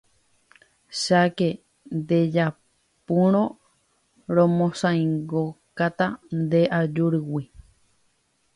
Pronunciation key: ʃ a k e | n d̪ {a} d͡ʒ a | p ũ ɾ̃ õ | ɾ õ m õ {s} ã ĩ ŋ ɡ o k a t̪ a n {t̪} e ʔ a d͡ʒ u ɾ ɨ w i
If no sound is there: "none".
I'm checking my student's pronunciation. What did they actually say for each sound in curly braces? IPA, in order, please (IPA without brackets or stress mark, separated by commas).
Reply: e, s, d̪